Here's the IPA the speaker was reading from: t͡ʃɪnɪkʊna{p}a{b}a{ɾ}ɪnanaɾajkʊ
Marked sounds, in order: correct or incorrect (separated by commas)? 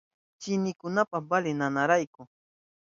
correct, correct, incorrect